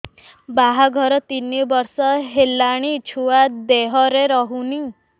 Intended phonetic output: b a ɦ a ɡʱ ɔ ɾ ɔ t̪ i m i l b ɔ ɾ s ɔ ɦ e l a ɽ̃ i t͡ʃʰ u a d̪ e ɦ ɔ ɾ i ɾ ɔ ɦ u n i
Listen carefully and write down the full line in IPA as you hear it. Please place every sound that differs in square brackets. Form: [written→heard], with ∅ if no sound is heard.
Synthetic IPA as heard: b a ɦ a ɡʱ ɔ ɾ ɔ t̪ i [m→n] i [l→∅] b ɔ ɾ s ɔ ɦ e l a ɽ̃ i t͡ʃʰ u a d̪ e ɦ ɔ ɾ [i→e] ɾ ɔ ɦ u n i